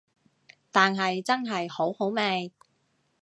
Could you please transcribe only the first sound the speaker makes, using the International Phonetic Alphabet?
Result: t̪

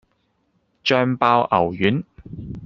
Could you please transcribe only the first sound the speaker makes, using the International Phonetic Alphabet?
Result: t͡ʃ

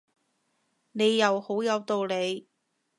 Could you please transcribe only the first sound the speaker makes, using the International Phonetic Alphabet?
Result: n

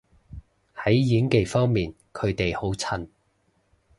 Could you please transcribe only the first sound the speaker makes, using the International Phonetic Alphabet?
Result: h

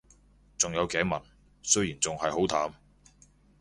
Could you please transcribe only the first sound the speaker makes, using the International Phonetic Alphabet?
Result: t͡s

